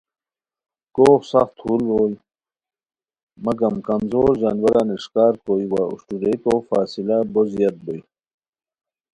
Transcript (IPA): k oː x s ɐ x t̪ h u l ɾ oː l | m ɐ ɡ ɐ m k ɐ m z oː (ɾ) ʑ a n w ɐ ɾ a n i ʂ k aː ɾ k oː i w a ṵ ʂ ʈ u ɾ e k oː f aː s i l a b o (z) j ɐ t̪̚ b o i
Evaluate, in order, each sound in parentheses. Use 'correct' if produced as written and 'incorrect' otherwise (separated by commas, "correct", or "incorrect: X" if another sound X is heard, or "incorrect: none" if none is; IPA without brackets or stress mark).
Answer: correct, correct